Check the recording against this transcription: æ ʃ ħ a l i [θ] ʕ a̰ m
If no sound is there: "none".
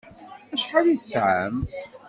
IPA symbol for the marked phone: s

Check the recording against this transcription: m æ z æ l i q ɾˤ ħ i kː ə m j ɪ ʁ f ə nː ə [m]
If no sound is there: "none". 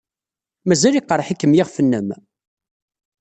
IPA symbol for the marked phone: m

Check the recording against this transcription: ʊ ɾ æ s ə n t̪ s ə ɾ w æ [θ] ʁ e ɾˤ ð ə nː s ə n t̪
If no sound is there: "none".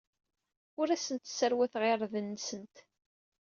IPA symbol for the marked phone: θ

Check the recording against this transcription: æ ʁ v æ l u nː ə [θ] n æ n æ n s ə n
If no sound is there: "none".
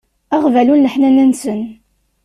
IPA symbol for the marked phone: ħ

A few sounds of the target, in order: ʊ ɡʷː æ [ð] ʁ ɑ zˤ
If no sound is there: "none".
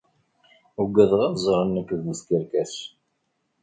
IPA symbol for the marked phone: ð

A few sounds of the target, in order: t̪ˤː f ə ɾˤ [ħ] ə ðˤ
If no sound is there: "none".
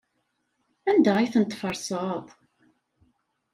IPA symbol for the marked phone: s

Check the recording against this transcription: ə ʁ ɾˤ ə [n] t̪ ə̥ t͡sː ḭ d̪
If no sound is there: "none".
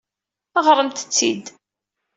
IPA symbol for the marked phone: m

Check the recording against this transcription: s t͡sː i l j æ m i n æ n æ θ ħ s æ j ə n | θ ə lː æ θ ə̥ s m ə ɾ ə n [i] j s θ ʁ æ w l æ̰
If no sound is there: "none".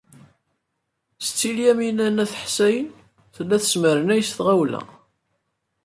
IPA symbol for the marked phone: æ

